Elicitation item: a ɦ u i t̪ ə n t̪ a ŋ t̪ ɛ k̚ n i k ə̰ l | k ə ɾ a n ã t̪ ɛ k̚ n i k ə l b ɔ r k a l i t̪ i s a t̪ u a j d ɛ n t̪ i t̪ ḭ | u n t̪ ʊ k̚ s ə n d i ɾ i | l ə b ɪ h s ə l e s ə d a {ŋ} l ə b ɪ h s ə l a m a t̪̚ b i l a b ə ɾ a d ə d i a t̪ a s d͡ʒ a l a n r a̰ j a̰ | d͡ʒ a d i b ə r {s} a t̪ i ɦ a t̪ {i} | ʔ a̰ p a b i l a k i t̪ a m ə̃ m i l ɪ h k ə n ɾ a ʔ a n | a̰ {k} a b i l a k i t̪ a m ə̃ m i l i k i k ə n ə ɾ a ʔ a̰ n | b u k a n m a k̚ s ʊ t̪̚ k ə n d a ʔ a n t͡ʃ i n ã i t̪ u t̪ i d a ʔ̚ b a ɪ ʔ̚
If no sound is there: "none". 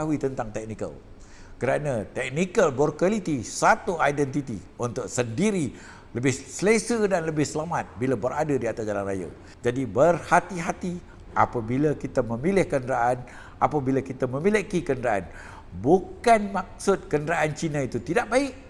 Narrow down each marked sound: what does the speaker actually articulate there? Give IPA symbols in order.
n, h, i, p

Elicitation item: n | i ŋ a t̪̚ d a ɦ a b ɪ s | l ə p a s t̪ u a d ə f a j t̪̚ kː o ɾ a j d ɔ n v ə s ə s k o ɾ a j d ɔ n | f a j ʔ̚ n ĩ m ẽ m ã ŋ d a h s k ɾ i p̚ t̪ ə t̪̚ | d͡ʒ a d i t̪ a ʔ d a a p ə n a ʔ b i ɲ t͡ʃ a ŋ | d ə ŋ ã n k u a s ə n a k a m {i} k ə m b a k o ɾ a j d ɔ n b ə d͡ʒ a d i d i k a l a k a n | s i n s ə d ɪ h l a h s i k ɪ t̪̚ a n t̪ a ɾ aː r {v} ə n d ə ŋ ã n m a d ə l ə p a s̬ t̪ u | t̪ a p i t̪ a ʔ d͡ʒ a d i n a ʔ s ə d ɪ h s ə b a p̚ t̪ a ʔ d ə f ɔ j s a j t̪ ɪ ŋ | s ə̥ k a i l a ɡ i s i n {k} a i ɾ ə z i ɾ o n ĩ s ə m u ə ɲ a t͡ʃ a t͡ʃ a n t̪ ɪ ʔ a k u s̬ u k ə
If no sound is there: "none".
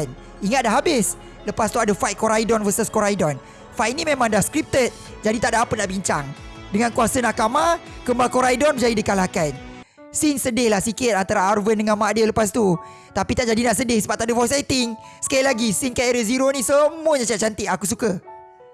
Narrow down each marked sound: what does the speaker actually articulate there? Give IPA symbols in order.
a, v, k

